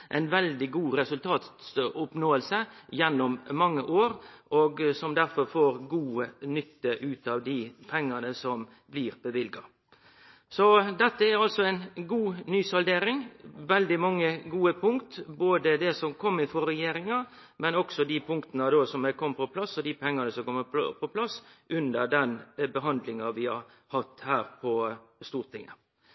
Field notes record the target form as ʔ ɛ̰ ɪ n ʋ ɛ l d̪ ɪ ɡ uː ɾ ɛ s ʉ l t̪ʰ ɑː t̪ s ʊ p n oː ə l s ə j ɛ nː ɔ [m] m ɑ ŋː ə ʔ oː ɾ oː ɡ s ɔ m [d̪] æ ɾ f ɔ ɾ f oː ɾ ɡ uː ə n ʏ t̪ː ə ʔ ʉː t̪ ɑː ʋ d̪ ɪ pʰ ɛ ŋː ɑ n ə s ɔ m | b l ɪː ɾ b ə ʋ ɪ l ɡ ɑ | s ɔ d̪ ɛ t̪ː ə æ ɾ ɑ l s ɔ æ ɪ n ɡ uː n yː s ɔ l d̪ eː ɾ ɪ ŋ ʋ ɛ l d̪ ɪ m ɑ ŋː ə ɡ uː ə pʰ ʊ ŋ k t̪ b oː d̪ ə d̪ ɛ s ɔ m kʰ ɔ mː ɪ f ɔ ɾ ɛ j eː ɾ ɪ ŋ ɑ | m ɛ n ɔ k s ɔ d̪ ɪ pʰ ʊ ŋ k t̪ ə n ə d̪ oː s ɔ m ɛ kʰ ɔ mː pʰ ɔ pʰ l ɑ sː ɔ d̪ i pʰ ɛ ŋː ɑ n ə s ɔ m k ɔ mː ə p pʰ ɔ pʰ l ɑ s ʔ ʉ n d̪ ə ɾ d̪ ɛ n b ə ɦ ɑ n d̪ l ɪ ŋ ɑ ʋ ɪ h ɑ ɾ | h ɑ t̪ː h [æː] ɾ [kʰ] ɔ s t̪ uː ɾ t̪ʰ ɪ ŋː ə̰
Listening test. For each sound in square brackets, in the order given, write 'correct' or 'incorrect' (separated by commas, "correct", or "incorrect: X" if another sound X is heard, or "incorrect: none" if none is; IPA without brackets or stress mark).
correct, correct, correct, incorrect: pʰ